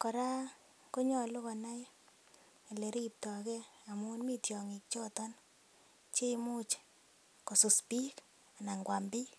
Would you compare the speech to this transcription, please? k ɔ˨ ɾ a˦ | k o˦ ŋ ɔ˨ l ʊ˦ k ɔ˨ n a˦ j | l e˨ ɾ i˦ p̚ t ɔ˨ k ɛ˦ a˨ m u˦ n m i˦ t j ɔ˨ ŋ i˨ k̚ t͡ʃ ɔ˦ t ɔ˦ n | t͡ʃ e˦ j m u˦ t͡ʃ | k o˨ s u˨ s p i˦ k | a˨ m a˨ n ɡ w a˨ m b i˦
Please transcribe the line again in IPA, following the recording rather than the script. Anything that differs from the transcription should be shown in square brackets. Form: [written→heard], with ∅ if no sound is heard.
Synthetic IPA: k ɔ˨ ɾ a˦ | k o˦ [ŋ→ɲ] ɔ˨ l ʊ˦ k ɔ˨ n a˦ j | l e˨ ɾ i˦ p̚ t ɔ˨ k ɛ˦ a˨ m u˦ n m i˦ t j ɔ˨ ŋ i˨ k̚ t͡ʃ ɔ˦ t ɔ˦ n | t͡ʃ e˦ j m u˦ t͡ʃ | k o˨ s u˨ s p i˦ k | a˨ [m→n] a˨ [n→ŋ] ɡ w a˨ m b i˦